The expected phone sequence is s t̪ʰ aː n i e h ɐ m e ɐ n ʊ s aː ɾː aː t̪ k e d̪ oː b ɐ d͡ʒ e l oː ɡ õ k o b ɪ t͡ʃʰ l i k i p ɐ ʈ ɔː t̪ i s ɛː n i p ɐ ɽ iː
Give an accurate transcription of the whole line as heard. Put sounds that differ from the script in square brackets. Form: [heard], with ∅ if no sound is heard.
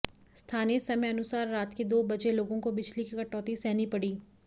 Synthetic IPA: s t̪ʰ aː n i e [s] ɐ m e ɐ n ʊ s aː ɾː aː t̪ k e d̪ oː b ɐ d͡ʒ e l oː ɡ õ k o b ɪ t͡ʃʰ l i k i [k] ɐ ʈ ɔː t̪ i s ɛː n i p ɐ ɽ iː